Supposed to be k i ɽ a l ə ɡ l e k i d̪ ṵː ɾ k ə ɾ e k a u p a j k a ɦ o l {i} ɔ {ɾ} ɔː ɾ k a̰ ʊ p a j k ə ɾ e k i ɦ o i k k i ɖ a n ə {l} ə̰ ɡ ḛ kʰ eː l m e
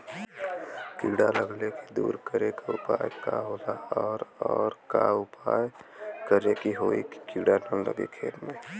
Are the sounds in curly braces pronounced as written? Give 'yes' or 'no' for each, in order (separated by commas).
no, yes, yes